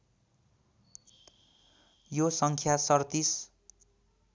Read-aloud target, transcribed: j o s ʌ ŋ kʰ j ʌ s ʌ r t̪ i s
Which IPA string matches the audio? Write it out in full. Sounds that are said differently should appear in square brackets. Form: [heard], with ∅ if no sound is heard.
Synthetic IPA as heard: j o s ʌ ŋ kʰ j [a] s ʌ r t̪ i s

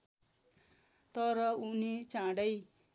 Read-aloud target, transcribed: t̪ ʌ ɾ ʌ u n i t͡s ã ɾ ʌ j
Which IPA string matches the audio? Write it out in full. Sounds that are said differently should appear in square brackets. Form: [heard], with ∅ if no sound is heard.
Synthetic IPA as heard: t̪ ʌ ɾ ʌ u n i t͡s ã [ɽ] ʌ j

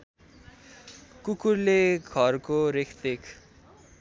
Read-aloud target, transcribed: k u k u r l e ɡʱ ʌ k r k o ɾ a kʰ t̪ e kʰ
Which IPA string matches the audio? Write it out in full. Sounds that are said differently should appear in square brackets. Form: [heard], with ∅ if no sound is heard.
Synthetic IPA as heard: k u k u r l e ɡʱ ʌ [∅] r k o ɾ [e] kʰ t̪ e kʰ

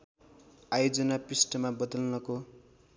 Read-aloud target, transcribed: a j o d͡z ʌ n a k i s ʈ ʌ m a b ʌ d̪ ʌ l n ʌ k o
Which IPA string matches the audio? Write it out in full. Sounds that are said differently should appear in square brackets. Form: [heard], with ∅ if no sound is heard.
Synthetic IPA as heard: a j o d͡z ʌ n a [p] i s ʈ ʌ m a b ʌ d̪ ʌ l n ʌ k o

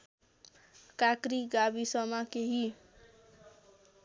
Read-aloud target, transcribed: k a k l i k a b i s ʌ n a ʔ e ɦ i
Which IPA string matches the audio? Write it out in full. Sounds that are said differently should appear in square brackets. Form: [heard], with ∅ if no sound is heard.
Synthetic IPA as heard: k a k [ɾ] i [ɡ] a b i s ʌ [m] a [k] e ɦ i

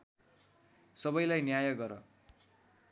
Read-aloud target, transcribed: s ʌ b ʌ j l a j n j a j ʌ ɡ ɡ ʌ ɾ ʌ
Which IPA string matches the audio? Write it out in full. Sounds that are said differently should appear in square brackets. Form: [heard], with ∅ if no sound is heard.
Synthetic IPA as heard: s ʌ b ʌ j l a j n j a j ʌ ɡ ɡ ʌ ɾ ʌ

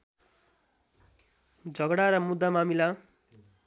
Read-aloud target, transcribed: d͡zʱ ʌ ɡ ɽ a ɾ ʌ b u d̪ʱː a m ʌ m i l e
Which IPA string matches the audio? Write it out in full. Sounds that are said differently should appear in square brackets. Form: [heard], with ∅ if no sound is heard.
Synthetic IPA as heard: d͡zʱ ʌ ɡ ɽ a ɾ ʌ [m] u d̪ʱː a m [a] m i l [a]

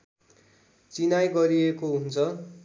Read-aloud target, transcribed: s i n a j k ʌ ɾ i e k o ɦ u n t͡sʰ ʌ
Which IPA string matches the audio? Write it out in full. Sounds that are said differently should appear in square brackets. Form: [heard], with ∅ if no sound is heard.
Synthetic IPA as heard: [t͡s] i n a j [ɡ] ʌ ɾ i e k o ɦ u n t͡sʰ ʌ

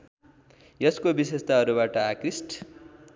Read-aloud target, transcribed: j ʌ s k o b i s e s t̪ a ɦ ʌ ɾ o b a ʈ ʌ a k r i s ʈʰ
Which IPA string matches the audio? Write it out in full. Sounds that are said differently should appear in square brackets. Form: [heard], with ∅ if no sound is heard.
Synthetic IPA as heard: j ʌ s k o b i s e s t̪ a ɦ ʌ ɾ [u] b a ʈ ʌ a k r i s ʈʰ

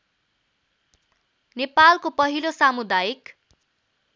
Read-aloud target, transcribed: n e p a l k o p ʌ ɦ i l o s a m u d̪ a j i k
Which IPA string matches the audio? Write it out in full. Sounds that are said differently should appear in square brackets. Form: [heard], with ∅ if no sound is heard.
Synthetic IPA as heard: n e p a l k o p ʌ ɦ i l o s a m u d̪ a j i k

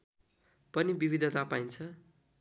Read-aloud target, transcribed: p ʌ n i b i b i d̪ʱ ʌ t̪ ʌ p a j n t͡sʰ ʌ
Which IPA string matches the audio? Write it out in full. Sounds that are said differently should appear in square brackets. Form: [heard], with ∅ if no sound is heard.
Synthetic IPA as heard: p ʌ n i b i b i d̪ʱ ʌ t̪ [a] p a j n t͡sʰ ʌ

